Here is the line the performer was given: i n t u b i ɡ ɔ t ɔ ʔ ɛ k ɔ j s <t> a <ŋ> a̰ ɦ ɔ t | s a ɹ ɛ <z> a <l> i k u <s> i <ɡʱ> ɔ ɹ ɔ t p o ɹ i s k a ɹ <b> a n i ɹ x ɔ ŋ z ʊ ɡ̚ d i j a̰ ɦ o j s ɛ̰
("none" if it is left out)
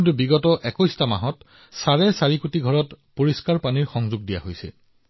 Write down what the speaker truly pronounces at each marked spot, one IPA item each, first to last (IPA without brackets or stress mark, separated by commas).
t, m, s, ɹ, t, ɡʱ, p